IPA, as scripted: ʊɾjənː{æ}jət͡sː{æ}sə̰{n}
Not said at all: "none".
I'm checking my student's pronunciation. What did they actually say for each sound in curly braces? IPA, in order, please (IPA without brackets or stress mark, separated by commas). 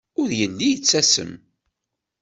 i, æ, m